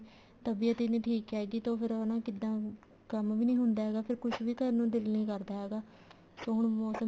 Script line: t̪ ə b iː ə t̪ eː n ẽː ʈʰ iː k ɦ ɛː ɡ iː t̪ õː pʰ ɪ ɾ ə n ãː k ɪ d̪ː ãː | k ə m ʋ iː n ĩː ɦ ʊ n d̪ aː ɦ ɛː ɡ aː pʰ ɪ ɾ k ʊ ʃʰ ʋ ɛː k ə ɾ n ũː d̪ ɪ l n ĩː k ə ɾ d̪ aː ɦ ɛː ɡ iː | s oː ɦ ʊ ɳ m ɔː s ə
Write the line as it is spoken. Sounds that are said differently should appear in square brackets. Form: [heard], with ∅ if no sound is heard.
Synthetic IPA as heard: t̪ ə b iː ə t̪ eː n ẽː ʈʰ iː k ɦ ɛː ɡ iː t̪ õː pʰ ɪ ɾ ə n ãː k ɪ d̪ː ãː | k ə m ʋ iː n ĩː ɦ ʊ n d̪ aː ɦ ɛː ɡ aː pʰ ɪ ɾ k ʊ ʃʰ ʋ [iː] k ə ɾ n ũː d̪ ɪ l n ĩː k ə ɾ d̪ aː ɦ ɛː ɡ [aː] | s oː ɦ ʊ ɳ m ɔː s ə